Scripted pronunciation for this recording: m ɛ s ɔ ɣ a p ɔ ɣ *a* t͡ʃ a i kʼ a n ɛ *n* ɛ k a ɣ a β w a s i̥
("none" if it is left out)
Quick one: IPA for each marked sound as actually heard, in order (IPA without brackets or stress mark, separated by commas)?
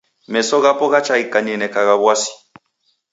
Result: a, n